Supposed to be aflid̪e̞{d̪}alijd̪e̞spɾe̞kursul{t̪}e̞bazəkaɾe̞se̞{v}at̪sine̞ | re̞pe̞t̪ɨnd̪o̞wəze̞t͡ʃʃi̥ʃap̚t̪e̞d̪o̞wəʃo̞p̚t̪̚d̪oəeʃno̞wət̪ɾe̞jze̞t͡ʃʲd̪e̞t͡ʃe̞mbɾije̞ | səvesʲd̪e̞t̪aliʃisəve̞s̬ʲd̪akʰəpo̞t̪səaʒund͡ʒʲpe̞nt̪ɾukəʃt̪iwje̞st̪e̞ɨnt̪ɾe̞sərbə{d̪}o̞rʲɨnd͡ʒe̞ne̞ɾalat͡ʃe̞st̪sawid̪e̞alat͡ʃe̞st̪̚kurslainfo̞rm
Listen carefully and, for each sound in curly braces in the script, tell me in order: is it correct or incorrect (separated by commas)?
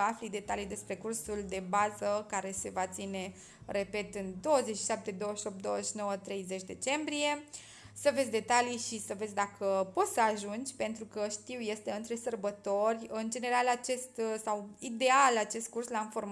incorrect, incorrect, correct, incorrect